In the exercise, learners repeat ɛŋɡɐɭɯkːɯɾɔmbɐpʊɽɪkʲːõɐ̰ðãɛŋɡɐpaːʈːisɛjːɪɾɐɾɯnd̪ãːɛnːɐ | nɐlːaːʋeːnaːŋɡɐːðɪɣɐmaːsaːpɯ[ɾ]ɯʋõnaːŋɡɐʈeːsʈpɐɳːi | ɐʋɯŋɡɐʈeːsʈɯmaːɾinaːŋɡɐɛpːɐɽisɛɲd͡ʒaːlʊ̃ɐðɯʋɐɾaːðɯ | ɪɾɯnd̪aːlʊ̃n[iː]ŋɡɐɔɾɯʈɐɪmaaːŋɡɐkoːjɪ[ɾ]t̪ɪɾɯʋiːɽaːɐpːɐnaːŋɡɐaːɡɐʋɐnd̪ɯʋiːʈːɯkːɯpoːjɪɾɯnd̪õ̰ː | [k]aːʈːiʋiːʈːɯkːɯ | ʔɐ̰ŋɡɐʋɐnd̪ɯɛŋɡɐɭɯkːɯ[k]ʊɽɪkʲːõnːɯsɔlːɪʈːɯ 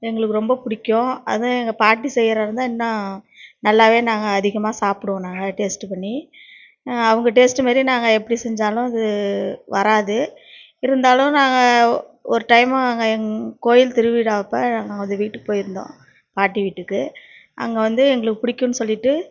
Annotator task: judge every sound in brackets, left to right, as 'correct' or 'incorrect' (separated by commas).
incorrect, incorrect, incorrect, incorrect, incorrect